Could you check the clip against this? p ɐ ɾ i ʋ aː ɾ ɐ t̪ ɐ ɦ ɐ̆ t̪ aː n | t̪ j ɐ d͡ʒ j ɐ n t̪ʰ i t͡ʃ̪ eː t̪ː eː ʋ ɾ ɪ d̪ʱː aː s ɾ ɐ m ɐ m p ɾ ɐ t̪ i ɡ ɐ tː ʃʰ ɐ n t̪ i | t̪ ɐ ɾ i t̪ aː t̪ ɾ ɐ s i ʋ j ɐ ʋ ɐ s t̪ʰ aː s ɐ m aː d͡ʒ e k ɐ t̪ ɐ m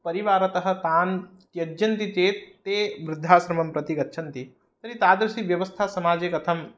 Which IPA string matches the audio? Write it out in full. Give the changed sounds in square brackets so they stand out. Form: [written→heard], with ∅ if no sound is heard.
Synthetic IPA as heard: p ɐ ɾ i ʋ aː ɾ ɐ t̪ ɐ ɦ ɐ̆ t̪ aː n | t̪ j ɐ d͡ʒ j ɐ n [t̪ʰ→t̪] i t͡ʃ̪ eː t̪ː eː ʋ ɾ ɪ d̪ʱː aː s ɾ ɐ m ɐ m p ɾ ɐ t̪ i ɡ ɐ tː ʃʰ ɐ n t̪ i | t̪ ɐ ɾ i t̪ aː [t̪→d̪] ɾ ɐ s i ʋ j ɐ ʋ ɐ s t̪ʰ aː s ɐ m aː d͡ʒ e k ɐ [t̪→t̪ʰ] ɐ m